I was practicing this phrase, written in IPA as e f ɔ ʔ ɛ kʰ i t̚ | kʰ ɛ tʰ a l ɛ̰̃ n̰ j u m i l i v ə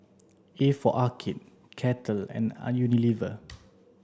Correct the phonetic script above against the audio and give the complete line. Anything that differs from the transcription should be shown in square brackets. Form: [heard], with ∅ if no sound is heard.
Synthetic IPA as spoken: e f ɔ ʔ [a] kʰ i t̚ | kʰ ɛ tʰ [ə] l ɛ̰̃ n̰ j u [n] i l i v ə

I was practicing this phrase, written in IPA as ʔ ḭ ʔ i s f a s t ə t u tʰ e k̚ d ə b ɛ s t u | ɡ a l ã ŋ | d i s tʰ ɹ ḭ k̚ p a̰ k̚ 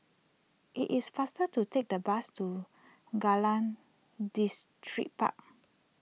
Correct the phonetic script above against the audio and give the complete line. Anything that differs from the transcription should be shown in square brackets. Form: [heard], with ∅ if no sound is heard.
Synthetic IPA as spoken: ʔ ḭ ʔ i s f a s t ə t u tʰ e k̚ d ə b [a] s t u | ɡ a l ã [n] | d i s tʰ ɹ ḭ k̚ p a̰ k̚

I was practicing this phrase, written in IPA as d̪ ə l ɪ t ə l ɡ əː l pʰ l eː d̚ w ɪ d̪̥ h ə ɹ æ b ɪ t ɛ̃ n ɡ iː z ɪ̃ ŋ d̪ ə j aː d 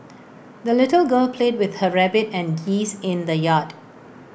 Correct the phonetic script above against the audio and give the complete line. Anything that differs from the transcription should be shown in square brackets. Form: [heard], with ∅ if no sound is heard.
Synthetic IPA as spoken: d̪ ə l ɪ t ə l ɡ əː l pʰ l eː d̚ w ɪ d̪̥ h ə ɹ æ b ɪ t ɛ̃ n ɡ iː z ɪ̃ [n] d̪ ə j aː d

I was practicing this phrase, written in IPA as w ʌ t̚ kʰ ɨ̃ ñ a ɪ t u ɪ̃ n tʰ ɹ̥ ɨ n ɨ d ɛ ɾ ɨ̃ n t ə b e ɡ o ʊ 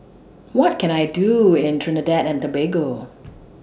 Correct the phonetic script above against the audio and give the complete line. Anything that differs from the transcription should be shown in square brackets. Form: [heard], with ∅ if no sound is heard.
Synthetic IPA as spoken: w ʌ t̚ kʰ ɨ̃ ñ a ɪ [d] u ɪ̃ n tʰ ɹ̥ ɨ n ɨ d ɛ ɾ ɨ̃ n t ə b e ɡ o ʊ

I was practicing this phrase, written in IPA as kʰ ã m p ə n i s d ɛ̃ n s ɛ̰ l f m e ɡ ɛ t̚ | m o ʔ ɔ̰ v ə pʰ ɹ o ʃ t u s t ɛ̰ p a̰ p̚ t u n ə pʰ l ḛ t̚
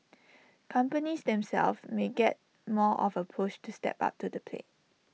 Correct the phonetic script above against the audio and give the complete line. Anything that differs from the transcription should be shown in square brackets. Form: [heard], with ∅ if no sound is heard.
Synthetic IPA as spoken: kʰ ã m p ə n i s d ɛ̃ [m] s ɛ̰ l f m e ɡ ɛ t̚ | m [ɔ] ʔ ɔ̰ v ə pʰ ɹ o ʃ t u s t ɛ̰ p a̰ p̚ t u [d] ə pʰ l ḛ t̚

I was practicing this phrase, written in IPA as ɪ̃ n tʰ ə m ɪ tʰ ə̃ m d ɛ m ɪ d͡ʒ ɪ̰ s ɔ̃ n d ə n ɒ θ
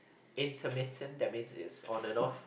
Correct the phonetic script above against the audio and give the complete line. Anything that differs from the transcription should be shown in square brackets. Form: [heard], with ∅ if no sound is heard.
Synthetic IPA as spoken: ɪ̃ n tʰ ə m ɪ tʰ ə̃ [n] d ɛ m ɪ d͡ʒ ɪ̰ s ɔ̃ n d ə n [ɔ] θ

